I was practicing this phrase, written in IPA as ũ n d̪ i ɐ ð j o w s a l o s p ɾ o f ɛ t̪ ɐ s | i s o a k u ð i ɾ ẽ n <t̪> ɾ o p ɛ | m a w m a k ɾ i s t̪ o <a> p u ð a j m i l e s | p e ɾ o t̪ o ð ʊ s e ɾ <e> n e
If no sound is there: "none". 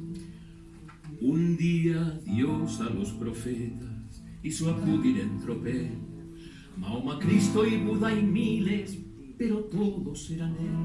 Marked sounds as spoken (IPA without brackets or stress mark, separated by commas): t̪, i, a